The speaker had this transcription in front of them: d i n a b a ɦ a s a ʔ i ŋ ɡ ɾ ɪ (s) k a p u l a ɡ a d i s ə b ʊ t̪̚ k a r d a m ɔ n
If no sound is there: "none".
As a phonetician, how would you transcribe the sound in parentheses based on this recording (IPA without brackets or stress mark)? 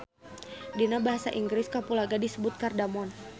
s